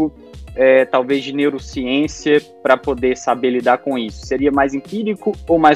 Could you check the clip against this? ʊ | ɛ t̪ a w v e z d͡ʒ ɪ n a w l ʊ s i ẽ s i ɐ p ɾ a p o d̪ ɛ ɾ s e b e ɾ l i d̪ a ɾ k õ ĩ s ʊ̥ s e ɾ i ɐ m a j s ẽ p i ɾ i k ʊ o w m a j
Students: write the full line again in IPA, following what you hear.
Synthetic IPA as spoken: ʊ | ɛ t̪ a w v e z d͡ʒ ɪ n e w ɾ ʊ s i ẽ s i ɐ p ɾ ɐ p o d̪ e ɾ s a b e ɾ l i d̪ a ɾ k õ i s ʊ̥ s e ɾ i ɐ m a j z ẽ p i ɾ i k ʊ o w m a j